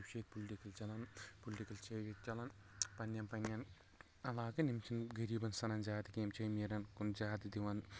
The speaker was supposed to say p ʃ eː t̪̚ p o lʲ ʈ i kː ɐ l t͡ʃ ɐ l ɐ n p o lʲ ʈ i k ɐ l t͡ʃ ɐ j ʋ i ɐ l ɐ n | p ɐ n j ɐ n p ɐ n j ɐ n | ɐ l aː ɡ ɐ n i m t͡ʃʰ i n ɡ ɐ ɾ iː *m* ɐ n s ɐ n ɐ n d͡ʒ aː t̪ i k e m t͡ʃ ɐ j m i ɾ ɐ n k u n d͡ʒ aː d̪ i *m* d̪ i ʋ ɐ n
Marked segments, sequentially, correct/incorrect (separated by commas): incorrect, incorrect